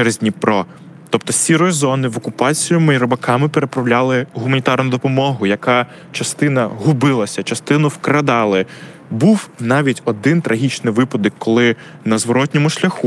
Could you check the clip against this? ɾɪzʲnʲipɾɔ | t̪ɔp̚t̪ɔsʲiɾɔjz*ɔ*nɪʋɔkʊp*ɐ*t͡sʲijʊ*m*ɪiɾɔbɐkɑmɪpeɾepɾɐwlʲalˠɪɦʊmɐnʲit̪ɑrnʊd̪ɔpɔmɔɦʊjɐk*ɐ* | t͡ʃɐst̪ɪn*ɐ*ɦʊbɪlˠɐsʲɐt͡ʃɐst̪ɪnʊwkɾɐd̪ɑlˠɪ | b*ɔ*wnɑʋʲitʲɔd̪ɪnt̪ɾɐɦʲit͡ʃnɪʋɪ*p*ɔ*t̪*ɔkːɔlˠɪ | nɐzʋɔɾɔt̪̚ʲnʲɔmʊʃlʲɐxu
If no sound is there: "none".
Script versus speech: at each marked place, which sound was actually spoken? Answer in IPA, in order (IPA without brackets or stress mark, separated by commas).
ɔ, ɑ, m, ɑ, ɐ, u, p, d̪